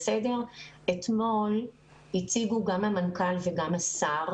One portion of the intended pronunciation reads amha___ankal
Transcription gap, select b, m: m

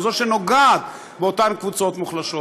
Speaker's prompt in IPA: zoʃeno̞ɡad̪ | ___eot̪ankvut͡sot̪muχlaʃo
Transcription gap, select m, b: b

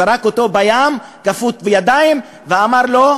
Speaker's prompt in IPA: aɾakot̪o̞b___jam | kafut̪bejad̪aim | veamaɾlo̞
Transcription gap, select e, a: a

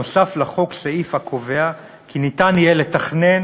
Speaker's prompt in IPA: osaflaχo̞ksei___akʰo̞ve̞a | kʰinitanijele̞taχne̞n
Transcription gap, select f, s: f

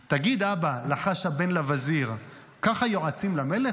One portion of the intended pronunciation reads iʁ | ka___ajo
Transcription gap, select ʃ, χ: χ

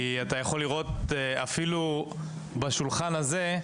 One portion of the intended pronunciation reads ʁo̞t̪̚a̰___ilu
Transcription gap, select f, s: f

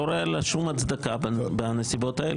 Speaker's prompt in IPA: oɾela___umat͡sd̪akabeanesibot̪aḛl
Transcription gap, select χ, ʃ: ʃ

